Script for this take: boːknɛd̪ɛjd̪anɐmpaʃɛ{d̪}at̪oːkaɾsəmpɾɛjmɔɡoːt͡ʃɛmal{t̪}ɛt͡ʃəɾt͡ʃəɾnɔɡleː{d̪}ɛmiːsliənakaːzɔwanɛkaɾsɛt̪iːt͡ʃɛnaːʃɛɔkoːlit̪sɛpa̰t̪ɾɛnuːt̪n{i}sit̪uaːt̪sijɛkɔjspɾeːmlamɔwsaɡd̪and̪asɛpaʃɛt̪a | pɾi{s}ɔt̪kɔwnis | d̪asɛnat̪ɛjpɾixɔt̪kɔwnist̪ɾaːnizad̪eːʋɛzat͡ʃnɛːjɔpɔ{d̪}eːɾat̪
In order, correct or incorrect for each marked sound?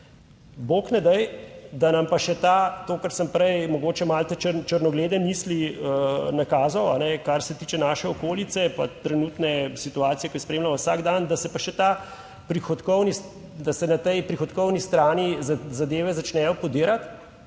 incorrect, correct, correct, incorrect, incorrect, correct

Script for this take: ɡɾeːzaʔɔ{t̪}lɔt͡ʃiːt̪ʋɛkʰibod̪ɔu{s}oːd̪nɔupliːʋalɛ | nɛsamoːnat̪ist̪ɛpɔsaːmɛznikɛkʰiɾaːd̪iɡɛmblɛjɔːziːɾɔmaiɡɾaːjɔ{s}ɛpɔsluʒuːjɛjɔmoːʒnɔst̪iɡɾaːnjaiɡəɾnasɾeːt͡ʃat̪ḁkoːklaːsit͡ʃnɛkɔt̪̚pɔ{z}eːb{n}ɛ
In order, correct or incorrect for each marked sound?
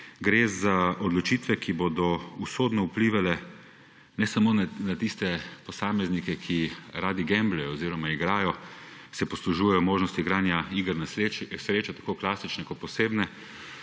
incorrect, correct, correct, incorrect, correct

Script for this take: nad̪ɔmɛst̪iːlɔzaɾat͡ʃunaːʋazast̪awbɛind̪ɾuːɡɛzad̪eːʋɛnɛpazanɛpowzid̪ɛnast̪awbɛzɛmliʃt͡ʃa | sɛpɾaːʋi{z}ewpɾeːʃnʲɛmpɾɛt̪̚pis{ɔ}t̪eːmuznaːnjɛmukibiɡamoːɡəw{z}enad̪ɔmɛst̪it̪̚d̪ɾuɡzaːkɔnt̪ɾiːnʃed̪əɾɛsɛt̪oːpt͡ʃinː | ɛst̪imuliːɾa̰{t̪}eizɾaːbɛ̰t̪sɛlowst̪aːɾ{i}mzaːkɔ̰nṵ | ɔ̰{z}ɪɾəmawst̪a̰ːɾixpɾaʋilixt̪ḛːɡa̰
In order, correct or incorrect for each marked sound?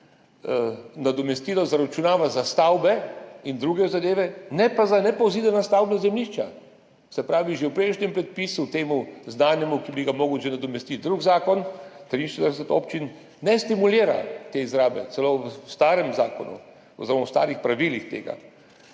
incorrect, incorrect, incorrect, correct, incorrect, correct

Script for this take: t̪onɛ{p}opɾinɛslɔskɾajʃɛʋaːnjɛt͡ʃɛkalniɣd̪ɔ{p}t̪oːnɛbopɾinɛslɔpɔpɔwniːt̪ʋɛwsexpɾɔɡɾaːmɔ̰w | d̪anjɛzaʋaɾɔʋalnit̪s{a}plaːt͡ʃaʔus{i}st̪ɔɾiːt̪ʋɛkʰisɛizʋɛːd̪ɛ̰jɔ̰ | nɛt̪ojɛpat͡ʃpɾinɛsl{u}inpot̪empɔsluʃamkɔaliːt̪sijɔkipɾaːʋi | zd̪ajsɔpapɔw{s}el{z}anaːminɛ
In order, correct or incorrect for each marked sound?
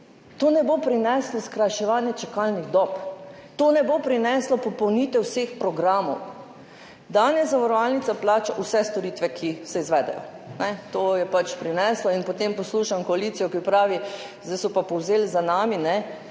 incorrect, correct, correct, incorrect, incorrect, incorrect, correct

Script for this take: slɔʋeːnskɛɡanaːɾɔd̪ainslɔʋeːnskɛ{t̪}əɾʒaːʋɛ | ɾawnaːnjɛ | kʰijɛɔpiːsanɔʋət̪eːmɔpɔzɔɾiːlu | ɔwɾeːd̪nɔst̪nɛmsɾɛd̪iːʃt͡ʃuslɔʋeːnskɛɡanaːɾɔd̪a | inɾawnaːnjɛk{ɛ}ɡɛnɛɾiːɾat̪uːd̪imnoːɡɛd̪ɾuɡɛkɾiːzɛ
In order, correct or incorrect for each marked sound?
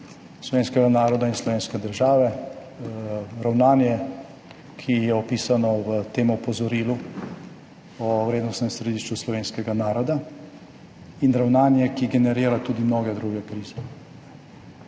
incorrect, incorrect

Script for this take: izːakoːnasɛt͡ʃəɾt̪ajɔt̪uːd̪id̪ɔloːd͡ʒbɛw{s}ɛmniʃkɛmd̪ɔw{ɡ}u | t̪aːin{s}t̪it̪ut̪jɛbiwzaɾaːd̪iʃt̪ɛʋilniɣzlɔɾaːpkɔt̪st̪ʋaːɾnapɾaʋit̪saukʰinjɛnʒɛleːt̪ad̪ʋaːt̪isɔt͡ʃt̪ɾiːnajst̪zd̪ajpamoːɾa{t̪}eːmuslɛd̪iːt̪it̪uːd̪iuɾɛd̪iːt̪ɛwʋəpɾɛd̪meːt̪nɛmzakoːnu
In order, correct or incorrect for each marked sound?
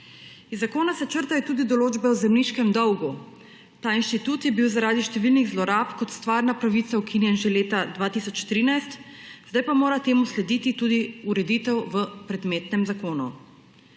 incorrect, correct, incorrect, correct

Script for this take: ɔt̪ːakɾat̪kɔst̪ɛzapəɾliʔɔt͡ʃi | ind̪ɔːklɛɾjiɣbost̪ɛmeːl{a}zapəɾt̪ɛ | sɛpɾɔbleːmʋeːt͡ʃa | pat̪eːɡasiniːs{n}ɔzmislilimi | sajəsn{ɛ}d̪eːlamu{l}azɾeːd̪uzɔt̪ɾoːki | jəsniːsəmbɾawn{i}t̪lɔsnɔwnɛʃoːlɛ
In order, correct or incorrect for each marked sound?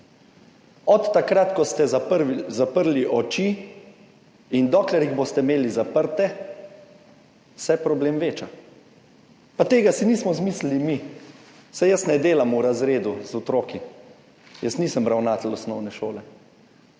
incorrect, incorrect, correct, incorrect, incorrect

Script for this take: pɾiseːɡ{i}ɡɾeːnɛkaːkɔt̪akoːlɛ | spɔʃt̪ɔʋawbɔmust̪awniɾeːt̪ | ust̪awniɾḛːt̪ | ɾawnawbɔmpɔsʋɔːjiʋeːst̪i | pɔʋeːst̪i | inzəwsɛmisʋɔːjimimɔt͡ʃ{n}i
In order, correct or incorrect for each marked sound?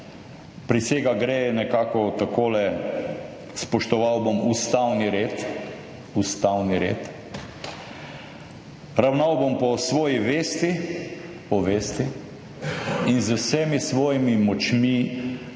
incorrect, incorrect

